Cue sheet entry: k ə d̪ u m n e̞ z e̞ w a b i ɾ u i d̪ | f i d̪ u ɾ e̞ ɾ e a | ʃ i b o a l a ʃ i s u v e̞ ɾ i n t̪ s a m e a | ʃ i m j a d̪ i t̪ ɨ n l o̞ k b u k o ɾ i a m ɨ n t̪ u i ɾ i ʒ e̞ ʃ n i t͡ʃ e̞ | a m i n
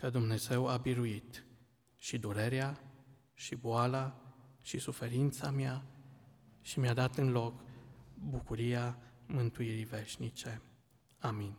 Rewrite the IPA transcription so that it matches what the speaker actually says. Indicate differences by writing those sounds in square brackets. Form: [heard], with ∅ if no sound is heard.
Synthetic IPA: k ə d̪ u m n e̞ z e̞ w a b i ɾ u i [t̪] | [ʃ] i d̪ u ɾ e̞ ɾ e a | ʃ i b o a l a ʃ i s u [f] e̞ ɾ i n t̪ s a m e a | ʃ i m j a d̪ [a] t̪ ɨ n l o̞ k b u k [u] ɾ i a m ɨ n t̪ u i ɾ i [v] e̞ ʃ n i t͡ʃ e̞ | a m i n